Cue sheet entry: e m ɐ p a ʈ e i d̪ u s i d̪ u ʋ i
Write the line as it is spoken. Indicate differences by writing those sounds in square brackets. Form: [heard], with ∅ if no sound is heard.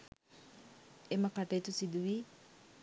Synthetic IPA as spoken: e m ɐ [k] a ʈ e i [t̪] u s i d̪ u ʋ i